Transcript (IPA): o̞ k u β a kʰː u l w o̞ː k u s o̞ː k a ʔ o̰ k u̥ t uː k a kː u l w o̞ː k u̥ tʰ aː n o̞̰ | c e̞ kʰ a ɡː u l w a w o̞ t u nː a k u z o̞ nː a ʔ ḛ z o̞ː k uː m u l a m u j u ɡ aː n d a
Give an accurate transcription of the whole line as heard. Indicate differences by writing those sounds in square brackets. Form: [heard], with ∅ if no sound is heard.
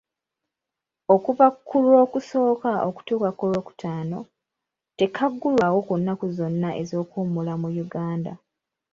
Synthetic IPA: o̞ k u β a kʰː u l w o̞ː k u s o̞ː k a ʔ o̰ k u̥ t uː k a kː u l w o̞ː k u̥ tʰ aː n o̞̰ | [t] e̞ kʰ a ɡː u l w a w o̞ [k] u nː a k u z o̞ nː a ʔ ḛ z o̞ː k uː m u l a m u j u ɡ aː n d a